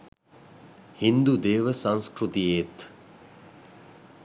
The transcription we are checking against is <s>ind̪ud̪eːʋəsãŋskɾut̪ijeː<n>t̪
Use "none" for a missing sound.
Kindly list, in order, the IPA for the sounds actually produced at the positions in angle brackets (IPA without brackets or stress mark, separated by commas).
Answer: h, none